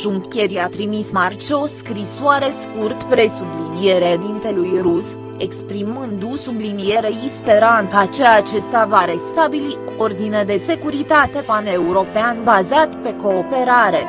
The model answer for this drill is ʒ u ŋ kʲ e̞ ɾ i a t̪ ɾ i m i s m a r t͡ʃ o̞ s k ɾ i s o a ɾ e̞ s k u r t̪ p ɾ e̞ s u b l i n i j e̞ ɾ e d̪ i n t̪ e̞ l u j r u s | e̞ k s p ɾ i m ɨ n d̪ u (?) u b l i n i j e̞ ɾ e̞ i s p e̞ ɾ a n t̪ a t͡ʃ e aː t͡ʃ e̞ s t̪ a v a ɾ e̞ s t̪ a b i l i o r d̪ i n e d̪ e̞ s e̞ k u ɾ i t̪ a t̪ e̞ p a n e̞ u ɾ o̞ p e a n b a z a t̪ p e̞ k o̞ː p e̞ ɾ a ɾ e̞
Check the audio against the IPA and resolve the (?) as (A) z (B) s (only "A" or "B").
B